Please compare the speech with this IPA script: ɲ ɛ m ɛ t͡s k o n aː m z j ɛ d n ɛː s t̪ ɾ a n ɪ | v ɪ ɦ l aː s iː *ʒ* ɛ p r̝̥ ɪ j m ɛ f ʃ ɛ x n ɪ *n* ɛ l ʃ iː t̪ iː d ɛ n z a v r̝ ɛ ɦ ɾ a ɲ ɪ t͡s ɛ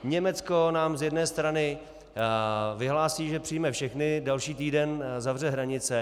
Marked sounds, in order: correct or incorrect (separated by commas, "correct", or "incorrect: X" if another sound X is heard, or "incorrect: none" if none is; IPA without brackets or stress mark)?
correct, incorrect: d